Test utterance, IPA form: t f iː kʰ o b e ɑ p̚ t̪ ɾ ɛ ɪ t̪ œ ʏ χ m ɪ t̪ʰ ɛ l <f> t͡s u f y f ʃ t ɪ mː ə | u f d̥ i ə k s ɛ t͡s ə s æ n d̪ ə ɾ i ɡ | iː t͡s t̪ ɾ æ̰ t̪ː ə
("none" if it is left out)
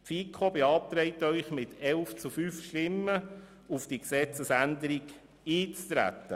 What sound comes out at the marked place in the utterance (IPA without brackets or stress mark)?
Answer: f